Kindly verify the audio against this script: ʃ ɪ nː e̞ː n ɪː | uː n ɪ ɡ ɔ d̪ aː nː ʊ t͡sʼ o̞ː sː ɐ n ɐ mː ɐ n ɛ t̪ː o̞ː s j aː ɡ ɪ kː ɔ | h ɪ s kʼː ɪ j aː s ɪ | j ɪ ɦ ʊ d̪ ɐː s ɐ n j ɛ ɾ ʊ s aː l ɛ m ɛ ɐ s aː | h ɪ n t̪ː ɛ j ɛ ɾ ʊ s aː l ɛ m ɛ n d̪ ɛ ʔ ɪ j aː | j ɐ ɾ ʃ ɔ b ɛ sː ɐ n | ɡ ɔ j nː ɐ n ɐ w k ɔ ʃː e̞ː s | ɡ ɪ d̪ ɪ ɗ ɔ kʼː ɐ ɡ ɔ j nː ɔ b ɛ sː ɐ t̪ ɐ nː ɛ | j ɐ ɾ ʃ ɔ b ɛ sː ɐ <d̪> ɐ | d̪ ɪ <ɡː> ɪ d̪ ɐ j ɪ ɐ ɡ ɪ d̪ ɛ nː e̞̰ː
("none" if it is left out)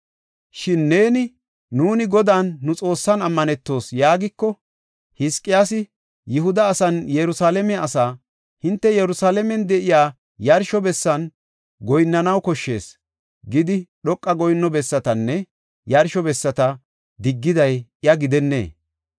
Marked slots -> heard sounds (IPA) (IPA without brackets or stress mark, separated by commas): t̪, ɡː